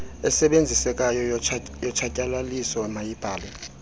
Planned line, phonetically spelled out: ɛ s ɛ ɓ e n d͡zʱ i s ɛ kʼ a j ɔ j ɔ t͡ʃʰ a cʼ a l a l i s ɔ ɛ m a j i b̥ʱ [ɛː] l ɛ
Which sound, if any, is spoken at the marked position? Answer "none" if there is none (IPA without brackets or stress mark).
aː